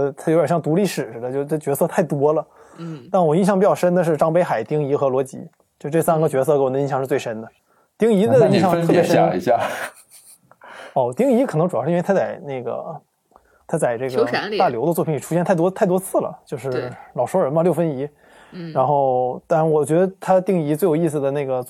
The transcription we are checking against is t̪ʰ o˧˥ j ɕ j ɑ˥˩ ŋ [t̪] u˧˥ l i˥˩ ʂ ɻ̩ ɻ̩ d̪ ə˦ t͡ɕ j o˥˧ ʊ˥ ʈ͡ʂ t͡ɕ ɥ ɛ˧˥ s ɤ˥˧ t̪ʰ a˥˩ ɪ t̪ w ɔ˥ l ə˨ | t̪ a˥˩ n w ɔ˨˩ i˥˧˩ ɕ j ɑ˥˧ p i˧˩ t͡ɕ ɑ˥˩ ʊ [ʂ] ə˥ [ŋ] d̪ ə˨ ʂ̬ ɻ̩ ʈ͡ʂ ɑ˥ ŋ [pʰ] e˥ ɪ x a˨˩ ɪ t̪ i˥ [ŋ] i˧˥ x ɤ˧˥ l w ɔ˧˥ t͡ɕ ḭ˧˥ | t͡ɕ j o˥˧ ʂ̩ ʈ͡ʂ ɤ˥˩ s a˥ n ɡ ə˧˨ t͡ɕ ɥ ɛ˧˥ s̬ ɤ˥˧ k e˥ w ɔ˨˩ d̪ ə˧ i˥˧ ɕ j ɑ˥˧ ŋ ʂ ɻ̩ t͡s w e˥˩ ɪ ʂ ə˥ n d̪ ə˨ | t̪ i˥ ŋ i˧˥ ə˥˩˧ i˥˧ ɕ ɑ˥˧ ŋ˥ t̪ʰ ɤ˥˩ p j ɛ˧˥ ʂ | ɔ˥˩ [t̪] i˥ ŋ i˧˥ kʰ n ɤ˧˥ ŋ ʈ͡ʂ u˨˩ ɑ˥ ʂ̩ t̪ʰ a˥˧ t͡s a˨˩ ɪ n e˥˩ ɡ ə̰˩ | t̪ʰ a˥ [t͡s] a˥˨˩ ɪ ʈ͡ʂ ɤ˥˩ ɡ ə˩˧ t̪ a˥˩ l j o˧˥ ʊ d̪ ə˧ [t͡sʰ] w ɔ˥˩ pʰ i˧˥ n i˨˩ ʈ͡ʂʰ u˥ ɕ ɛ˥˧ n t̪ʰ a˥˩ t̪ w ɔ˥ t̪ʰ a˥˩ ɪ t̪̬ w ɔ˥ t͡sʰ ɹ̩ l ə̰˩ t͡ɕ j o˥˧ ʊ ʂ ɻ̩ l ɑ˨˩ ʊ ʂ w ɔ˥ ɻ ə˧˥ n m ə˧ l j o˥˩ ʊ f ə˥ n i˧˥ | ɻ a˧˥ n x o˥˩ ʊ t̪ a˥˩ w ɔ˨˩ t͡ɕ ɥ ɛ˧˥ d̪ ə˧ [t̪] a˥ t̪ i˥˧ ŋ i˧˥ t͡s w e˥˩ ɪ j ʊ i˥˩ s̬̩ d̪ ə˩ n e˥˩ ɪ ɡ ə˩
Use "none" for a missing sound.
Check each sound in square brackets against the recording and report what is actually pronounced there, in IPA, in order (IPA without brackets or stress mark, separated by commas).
t̪, ʂ, n, p, ŋ, t̪, t͡s, t͡s, t̪ʰ